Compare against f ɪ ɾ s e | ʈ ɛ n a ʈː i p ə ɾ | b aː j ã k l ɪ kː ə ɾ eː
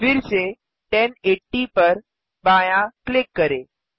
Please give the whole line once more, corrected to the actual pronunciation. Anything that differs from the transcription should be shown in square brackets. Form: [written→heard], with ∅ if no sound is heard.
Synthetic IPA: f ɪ ɾ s e | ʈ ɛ n [a→e] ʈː i p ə ɾ | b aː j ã k l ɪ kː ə ɾ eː